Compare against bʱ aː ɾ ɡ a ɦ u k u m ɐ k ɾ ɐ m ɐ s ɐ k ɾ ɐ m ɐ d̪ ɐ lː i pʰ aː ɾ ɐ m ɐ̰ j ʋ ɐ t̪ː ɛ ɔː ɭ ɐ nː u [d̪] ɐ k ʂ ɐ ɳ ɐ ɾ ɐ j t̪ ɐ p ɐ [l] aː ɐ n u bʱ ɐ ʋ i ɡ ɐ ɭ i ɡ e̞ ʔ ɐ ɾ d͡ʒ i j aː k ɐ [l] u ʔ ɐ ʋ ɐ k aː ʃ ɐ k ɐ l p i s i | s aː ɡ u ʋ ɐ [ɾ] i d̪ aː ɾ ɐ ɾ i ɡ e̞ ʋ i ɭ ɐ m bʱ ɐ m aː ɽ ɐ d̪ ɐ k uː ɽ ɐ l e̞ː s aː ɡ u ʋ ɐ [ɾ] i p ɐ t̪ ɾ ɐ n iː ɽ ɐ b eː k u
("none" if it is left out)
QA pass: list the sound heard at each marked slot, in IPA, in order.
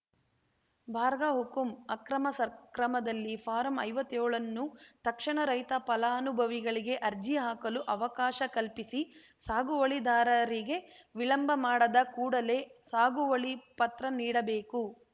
t̪, l, l, ɭ, ɭ

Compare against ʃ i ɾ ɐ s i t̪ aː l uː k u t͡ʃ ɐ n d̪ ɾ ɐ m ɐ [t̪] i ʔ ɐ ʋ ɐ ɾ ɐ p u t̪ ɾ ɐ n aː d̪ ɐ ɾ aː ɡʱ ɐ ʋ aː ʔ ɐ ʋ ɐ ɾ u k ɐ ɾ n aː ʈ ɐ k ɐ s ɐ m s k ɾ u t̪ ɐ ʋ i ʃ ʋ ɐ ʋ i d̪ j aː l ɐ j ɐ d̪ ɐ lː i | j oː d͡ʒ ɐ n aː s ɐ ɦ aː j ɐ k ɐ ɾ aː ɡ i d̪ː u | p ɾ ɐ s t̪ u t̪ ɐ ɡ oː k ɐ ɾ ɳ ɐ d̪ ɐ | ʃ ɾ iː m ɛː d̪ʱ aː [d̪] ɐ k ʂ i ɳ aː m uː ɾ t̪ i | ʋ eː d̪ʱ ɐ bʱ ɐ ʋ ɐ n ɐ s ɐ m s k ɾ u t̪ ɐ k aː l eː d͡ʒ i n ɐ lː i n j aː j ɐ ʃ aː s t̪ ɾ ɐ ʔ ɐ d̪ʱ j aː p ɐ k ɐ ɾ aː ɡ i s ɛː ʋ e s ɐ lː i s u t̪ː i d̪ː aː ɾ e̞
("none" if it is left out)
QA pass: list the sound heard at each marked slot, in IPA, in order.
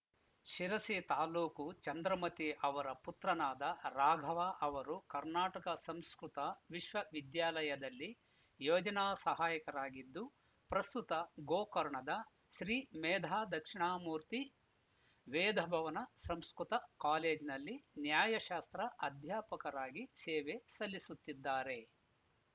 t̪, d̪

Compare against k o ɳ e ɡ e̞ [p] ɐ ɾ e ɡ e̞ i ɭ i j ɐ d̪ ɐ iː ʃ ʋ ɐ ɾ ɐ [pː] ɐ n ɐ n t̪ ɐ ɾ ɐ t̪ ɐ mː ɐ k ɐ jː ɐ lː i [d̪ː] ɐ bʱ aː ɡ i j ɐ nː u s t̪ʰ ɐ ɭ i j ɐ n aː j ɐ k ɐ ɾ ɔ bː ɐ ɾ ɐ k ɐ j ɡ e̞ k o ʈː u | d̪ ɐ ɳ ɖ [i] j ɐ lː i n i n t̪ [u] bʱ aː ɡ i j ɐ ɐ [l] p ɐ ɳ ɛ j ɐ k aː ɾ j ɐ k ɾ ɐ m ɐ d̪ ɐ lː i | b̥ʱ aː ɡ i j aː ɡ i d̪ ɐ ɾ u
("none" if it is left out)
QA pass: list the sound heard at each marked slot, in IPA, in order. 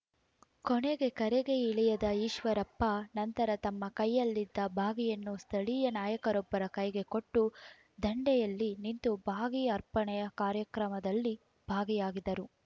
k, pː, d̪ː, ɛ, u, ɾ

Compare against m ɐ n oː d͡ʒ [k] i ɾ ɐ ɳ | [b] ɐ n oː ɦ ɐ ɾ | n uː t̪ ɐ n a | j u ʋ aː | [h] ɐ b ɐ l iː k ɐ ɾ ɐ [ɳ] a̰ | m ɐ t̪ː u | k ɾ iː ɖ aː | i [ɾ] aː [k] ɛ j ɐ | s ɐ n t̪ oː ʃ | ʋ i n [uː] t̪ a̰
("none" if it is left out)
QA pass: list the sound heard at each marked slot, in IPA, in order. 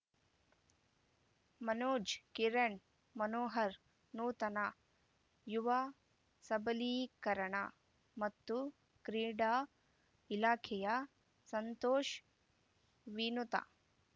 k, m, s, ɳ, l, kʰ, u

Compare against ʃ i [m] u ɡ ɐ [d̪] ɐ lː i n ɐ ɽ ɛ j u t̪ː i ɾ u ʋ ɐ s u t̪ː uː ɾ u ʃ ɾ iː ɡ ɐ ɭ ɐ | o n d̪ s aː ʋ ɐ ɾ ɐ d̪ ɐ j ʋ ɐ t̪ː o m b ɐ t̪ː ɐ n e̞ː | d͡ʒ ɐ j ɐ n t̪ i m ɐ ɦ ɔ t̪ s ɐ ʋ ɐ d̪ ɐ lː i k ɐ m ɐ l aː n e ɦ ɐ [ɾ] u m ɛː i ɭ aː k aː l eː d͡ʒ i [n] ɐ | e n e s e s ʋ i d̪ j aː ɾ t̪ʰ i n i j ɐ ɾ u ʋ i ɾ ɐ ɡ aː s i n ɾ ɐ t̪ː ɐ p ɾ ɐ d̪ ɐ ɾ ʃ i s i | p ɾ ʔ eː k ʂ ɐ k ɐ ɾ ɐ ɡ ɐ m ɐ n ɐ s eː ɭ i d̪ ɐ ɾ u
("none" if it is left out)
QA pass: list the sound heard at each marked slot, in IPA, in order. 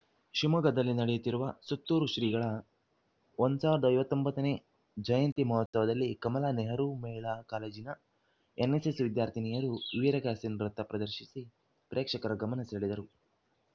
m, d̪, ɾ, n

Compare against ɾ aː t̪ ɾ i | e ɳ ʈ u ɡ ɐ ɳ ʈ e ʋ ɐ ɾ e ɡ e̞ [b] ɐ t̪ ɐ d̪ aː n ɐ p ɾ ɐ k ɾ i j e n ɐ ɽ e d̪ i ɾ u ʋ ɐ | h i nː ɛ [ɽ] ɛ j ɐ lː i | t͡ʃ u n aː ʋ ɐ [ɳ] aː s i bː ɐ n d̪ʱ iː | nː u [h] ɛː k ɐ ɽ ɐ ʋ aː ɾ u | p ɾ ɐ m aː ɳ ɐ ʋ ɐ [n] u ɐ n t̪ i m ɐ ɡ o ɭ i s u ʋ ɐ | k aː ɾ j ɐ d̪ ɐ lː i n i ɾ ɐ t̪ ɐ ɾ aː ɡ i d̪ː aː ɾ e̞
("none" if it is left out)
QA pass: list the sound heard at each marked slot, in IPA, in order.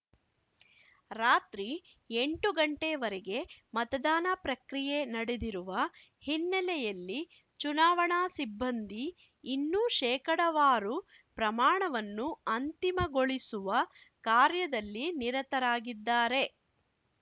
m, l, ɳ, ʃ, nː

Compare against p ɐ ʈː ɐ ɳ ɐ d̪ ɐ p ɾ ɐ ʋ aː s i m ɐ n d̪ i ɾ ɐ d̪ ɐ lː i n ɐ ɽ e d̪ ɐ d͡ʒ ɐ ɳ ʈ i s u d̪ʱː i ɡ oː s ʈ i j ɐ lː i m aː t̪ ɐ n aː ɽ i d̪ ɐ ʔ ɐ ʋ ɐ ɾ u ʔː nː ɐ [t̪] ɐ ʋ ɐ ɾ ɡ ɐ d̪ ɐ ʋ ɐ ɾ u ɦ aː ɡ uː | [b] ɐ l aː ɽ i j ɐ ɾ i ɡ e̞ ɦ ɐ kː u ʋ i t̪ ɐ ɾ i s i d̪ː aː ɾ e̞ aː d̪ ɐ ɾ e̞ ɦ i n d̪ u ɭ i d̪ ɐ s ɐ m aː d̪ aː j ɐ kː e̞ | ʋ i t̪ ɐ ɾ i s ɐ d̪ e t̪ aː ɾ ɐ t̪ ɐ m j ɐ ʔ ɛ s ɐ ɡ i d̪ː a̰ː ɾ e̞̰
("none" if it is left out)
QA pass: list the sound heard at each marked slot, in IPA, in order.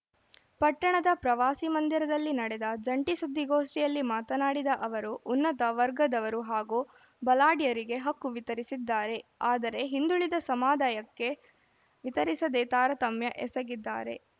t̪, b

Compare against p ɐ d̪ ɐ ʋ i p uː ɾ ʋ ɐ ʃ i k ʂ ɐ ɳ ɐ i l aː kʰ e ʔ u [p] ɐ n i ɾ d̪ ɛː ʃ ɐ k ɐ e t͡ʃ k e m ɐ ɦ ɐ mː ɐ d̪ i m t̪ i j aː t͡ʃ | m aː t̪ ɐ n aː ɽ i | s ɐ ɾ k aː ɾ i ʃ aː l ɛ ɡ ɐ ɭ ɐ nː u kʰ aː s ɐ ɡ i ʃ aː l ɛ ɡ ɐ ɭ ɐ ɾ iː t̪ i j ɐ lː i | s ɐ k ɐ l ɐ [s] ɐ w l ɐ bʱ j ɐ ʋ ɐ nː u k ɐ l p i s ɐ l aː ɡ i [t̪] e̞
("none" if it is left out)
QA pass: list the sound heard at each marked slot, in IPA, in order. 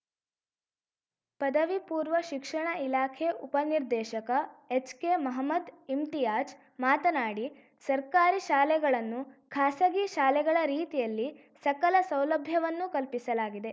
p, s, d̪

